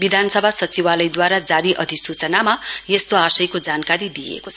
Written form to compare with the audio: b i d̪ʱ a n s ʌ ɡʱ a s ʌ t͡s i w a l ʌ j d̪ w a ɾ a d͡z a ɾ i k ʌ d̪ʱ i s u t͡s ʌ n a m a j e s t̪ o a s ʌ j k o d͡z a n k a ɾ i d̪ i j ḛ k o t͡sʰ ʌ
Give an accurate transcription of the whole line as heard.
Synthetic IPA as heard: b i d̪ʱ a n s ʌ bʱ a s ʌ t͡s i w a l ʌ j d̪ w a ɾ a d͡z a ɾ i ʔ ʌ d̪ʱ i s u t͡s ʌ n a m a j e s t̪ o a s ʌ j k o d͡z a n k a ɾ i d̪ i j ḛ k o t͡sʰ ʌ